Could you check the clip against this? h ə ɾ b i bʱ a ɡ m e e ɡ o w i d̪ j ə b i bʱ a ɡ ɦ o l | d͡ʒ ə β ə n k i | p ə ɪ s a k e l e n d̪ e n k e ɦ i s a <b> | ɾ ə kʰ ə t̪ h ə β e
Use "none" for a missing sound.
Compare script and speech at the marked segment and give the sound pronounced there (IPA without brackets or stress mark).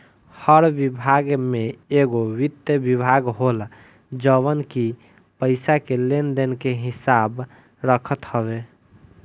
b